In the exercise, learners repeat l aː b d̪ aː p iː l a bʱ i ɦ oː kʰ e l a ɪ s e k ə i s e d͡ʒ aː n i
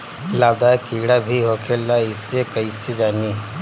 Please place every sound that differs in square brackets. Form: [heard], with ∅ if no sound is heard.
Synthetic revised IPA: l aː b d̪ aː [k] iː [ɽ] a bʱ i ɦ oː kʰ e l a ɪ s e k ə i s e d͡ʒ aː n i